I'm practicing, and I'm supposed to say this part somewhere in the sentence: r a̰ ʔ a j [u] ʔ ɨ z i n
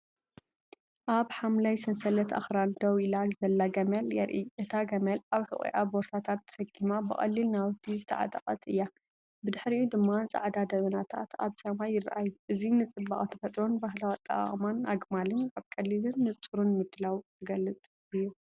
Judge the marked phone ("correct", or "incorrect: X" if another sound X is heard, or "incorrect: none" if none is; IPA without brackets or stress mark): correct